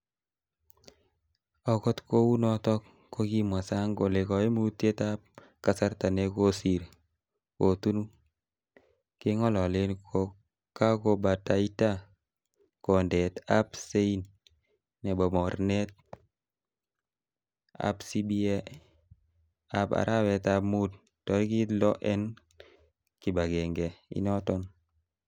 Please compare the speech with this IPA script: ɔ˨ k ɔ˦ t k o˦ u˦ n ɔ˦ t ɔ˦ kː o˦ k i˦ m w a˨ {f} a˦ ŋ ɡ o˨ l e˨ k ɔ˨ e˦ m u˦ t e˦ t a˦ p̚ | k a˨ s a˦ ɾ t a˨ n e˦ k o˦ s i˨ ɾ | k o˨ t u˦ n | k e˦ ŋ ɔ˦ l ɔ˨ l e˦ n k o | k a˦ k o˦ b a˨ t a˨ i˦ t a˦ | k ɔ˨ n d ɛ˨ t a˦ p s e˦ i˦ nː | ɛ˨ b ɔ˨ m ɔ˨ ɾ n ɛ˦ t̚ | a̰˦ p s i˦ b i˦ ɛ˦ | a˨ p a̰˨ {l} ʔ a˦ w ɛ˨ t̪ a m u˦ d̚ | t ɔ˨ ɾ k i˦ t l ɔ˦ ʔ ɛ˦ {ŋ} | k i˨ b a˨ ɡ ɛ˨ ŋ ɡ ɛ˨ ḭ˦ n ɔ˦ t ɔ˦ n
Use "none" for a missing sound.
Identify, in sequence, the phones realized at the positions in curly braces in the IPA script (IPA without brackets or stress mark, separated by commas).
s, ɾ, n